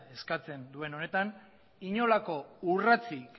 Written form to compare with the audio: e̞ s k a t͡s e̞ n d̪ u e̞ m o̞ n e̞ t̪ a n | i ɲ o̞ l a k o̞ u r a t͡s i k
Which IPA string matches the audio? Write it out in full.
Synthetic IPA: e̞ s k a t͡s e̞ n d̪ u e̞ n o̞ n e̞ t̪ a n | i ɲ o̞ l a k o̞ u r a t͡s i k